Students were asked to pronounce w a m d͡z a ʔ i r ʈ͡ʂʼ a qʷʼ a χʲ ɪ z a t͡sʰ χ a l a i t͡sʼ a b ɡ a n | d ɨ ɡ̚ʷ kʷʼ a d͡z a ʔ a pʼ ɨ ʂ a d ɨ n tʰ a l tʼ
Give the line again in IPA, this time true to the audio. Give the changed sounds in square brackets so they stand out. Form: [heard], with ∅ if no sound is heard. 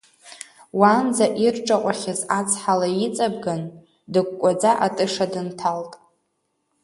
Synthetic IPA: w a [n] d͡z a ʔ i r ʈ͡ʂʼ a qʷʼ a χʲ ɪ z a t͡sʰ [ħ] a l a i t͡sʼ a b ɡ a n | d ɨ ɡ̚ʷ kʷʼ a d͡z a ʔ a [tʼ] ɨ ʂ a d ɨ n tʰ a l tʼ